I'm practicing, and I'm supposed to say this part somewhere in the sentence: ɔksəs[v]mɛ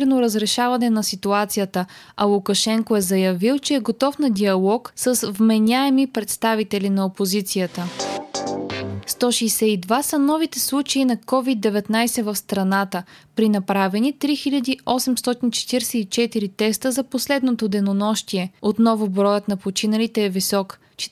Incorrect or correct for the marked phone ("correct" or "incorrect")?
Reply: correct